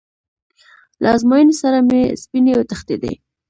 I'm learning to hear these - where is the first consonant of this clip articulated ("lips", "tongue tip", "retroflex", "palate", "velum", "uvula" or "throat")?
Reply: tongue tip